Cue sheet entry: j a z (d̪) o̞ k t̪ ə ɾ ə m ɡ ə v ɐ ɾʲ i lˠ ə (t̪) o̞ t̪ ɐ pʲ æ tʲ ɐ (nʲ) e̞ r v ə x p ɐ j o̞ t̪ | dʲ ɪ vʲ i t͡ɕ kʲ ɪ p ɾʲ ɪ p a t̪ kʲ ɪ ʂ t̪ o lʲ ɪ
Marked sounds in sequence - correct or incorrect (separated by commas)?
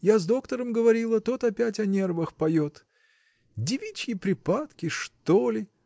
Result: correct, correct, correct